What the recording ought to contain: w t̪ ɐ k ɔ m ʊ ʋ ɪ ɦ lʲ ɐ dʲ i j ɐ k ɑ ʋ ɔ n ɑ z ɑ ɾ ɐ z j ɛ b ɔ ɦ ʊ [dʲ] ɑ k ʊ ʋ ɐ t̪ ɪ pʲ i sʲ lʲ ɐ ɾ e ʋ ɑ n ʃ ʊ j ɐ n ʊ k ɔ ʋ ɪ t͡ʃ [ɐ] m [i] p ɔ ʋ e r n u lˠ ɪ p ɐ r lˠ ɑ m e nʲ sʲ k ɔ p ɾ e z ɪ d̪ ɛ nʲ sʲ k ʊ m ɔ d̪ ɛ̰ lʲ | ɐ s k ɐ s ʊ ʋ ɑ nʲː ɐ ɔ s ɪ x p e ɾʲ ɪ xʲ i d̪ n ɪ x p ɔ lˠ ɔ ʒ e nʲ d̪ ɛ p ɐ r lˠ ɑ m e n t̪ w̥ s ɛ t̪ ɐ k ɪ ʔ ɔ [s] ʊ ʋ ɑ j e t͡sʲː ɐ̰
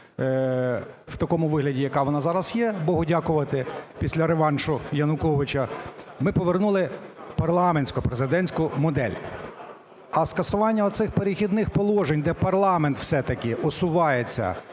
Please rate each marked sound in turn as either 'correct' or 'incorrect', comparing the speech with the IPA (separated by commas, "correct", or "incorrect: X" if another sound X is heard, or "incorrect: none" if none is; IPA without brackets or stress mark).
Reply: correct, correct, incorrect: ɪ, correct